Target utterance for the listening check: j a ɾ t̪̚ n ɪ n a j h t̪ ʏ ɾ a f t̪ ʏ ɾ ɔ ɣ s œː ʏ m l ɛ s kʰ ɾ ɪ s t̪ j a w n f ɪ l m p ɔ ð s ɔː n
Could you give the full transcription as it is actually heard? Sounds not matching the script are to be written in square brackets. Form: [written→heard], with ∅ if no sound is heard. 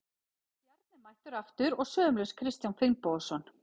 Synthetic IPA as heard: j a ɾ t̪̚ n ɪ [n→m] a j h t̪ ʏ ɾ a f t̪ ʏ ɾ ɔ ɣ s œː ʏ m l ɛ s kʰ ɾ ɪ s t̪ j a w n f ɪ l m p ɔ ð s [ɔː→ɔ] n